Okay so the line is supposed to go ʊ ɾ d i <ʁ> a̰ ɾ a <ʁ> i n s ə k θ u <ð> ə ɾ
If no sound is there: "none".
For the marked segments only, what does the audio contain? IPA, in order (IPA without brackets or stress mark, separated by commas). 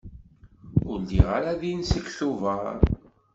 ʁ, ð, v